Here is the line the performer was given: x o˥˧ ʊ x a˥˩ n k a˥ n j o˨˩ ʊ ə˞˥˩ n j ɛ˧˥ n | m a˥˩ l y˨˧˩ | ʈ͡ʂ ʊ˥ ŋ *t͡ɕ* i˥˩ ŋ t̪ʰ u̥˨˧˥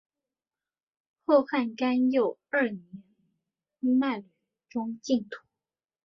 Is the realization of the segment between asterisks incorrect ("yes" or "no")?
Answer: no